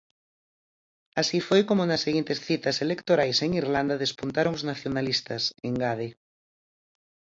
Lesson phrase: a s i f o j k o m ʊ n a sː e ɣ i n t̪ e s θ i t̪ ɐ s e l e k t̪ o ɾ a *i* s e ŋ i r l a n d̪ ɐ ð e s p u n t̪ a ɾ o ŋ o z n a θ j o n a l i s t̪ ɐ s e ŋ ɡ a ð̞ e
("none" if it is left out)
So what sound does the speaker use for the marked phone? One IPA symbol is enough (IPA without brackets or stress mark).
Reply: j